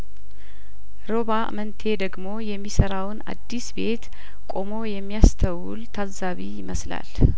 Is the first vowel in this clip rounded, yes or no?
yes